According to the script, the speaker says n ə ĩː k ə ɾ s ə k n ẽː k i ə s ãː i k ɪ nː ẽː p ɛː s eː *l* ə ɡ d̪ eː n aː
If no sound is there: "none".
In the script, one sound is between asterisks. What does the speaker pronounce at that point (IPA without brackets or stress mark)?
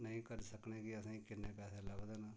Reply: l